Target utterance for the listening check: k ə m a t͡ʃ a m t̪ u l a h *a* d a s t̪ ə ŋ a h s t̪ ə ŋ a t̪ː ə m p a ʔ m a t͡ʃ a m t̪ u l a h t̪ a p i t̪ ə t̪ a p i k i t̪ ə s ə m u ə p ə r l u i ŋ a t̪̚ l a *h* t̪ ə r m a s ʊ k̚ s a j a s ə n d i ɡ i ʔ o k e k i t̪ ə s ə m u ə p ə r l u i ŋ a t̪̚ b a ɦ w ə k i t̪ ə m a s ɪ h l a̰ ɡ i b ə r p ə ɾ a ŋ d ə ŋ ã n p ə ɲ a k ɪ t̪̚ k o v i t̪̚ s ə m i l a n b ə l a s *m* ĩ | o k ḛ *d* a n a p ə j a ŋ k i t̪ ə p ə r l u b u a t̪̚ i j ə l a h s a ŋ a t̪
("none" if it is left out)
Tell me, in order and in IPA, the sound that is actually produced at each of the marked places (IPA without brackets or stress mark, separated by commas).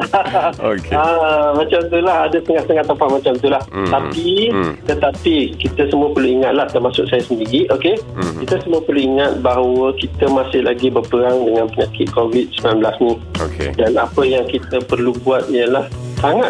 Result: a, h, n, d